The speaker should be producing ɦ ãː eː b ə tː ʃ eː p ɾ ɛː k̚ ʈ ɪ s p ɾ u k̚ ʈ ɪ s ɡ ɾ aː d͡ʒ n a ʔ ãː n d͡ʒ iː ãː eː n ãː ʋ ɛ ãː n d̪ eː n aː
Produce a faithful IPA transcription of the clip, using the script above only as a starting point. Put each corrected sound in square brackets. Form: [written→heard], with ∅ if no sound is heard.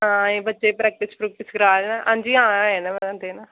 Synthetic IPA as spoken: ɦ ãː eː b ə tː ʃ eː p ɾ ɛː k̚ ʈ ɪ s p ɾ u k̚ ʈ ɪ s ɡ ɾ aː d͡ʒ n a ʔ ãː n d͡ʒ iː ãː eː n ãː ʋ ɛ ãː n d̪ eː n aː